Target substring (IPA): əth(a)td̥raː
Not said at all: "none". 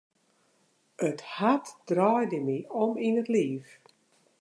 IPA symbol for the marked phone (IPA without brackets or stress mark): a